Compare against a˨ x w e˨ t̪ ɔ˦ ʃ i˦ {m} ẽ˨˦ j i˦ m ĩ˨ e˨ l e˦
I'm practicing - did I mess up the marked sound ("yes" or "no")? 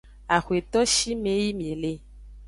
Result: no